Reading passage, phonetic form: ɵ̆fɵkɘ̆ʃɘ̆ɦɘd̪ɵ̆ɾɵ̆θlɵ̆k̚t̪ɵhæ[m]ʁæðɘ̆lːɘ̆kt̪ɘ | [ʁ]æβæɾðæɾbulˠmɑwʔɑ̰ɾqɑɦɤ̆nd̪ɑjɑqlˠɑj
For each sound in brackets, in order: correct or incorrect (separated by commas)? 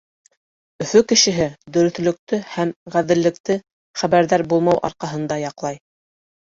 correct, incorrect